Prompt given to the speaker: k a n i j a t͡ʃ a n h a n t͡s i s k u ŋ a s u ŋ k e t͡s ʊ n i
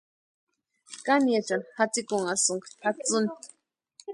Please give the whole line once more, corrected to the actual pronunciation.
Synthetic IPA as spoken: k a n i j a t͡ʃ a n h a t͡s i k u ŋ a s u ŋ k a t͡s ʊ n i